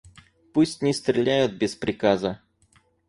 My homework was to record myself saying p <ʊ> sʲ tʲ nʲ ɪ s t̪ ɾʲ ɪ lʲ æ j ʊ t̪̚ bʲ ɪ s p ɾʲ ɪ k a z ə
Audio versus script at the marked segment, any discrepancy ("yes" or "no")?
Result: yes